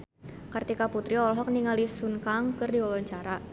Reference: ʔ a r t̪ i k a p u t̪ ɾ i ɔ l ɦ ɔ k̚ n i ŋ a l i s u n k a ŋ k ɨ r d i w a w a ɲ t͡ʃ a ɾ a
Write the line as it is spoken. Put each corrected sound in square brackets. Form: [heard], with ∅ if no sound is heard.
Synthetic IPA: [k] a r t̪ i k a p u t̪ ɾ i ɔ l ɦ ɔ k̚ n i ŋ a l i s u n k a ŋ k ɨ r d i w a w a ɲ t͡ʃ a ɾ a